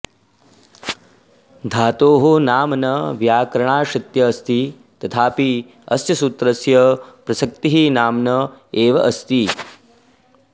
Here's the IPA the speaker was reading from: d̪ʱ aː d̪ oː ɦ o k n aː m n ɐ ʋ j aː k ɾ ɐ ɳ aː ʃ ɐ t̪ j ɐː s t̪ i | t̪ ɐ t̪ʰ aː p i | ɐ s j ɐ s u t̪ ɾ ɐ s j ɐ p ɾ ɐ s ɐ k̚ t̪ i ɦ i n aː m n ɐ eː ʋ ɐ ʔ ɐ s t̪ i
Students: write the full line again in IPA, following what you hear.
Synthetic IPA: d̪ʱ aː t̪ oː ɦ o n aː m n ɐ ʋ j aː k ɾ ɐ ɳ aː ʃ ɐ t̪ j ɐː s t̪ i | t̪ ɐ t̪ʰ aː p i | ɐ s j ɐ s u t̪ ɾ ɐ s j ɐ p ɾ ɐ s ɐ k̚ t̪ i ɦ i n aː m n ɐ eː ʋ ɐ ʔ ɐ s t̪ i